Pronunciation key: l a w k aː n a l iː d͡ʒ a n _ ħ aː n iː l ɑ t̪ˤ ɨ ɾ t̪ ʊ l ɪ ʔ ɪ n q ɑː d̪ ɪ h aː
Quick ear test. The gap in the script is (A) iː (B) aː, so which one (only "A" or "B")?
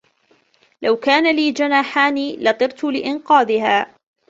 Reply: B